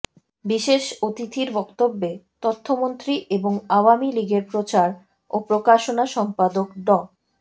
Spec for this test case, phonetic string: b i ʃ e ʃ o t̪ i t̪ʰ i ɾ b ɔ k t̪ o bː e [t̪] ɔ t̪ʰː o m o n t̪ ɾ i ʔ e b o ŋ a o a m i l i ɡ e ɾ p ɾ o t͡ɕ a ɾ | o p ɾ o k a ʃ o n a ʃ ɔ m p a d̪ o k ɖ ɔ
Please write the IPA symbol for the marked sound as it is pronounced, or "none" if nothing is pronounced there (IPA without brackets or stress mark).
t̪